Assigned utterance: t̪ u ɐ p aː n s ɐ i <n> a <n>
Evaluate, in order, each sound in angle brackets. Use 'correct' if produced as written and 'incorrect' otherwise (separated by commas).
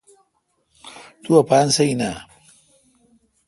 correct, incorrect